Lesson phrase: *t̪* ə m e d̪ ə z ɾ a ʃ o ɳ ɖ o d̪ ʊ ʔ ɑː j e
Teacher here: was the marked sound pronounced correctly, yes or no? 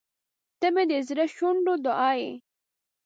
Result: yes